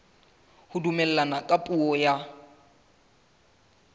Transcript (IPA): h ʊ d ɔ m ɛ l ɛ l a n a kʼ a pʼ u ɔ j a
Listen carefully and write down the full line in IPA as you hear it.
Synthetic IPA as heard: h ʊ d u m ɛ l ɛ l a n a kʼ a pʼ u ɔ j a